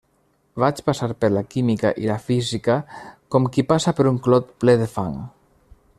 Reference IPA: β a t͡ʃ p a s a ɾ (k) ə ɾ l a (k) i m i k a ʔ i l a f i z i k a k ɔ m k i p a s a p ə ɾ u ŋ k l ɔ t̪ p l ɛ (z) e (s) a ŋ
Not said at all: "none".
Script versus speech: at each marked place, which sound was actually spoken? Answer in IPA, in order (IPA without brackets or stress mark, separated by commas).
p, k, ð, f